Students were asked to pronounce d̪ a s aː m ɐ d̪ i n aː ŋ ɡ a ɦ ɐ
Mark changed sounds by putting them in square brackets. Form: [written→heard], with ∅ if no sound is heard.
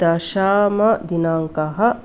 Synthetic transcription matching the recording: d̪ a [s→ʃ] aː m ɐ d̪ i n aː ŋ [ɡ→k] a ɦ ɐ